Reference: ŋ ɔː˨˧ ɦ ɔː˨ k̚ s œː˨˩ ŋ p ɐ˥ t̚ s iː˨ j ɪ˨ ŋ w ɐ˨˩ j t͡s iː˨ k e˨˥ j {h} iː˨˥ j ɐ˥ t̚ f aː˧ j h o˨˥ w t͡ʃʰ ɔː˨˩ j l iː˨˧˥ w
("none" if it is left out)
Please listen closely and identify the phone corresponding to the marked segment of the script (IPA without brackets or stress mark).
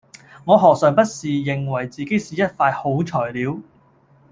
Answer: s